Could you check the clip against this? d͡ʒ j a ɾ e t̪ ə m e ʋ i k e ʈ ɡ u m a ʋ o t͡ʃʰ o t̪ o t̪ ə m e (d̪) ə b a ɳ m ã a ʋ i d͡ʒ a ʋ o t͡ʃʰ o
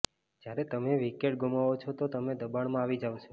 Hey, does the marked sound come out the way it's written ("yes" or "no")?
yes